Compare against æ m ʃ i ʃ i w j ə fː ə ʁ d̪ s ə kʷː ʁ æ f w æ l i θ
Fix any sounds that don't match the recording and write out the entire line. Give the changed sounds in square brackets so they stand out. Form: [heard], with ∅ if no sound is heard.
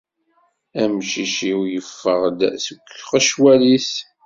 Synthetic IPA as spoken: æ m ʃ i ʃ i w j ə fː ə ʁ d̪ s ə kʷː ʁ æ [ʃ] w æ l i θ